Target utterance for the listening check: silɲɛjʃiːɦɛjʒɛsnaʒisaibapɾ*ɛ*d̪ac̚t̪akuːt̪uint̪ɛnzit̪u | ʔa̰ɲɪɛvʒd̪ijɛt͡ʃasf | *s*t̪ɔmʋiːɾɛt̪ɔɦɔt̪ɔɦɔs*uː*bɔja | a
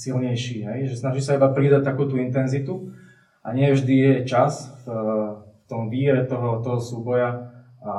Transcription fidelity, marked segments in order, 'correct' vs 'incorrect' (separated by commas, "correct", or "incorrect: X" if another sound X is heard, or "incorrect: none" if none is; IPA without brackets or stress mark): incorrect: i, incorrect: f, correct